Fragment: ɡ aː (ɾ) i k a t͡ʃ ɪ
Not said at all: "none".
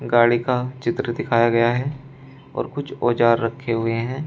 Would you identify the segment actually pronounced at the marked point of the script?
ɽ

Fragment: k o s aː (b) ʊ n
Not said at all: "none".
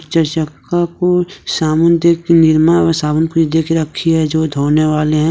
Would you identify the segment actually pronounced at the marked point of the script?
m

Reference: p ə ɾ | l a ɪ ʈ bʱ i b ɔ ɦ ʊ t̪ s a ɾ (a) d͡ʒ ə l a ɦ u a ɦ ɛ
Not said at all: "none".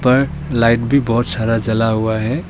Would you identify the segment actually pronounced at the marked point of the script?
a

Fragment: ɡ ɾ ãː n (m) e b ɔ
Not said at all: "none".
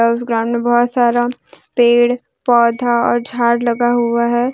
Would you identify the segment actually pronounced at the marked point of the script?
m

